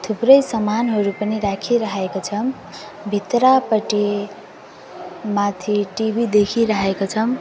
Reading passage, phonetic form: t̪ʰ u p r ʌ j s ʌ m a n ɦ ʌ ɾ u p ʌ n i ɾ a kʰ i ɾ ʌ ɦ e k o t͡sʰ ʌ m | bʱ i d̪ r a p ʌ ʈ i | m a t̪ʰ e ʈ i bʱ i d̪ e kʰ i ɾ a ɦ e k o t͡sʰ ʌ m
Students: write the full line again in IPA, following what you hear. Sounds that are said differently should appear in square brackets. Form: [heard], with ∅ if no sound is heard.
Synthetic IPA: t̪ʰ u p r ʌ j s ʌ m a n ɦ ʌ ɾ u p ʌ n i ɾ a kʰ i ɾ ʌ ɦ e k o t͡sʰ ʌ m | bʱ i [t̪] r a p ʌ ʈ i | m a t̪ʰ [i] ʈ i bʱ i d̪ e kʰ i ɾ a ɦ e k o t͡sʰ ʌ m